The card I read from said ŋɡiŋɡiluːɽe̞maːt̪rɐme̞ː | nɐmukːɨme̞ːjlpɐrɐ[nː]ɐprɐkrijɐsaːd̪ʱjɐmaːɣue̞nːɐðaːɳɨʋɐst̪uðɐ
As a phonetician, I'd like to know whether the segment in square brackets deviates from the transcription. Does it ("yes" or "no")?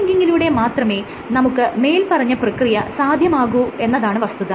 yes